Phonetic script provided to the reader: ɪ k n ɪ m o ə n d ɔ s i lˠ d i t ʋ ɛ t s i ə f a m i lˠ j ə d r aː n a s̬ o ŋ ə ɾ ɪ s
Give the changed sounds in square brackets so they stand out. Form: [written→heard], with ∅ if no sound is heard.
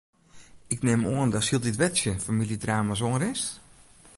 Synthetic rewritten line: ɪ k n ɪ m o ə n d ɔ s i lˠ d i t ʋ ɛ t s [i→j] ə f a m i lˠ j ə d r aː [n→m] a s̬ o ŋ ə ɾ ɪ s